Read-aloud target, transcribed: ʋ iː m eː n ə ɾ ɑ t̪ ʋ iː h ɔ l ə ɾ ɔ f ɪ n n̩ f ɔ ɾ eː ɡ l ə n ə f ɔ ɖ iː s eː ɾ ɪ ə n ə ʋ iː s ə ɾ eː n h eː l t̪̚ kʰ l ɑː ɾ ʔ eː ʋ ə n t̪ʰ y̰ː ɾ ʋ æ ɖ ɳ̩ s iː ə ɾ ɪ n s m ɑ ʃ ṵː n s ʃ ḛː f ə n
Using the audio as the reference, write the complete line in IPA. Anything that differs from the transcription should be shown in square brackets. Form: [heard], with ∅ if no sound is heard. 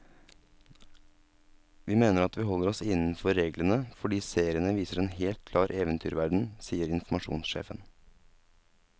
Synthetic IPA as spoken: ʋ iː m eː n ə ɾ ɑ t̪ ʋ iː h ɔ l ə ɾ ɔ [s] ɪ n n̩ f ɔ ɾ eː ɡ l ə n ə f ɔ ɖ iː s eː ɾ ɪ ə n ə ʋ iː s ə ɾ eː n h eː l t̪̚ kʰ l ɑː ɾ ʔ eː ʋ ə n t̪ʰ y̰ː ɾ ʋ æ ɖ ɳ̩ s iː ə ɾ ɪ n [f] m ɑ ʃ ṵː n s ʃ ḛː f ə n